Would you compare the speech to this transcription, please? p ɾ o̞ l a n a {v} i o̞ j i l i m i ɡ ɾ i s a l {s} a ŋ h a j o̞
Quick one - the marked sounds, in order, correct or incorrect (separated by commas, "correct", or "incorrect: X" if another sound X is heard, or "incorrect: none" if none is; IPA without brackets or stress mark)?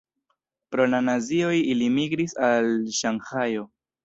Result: incorrect: z, incorrect: ʃ